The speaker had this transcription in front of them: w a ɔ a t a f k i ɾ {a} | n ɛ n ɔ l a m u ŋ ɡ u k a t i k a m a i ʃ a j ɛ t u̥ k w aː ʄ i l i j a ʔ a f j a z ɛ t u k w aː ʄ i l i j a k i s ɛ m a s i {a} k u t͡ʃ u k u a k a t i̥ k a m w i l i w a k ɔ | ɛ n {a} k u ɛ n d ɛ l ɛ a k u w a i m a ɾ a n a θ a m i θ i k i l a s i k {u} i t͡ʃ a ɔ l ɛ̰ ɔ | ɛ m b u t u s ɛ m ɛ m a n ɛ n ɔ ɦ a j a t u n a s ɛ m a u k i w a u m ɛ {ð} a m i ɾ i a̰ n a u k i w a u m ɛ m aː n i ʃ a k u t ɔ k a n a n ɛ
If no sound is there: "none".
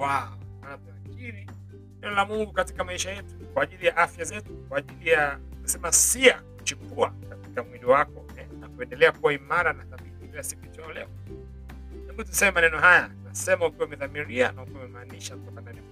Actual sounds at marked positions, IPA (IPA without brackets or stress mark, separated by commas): i, a, a, u, ð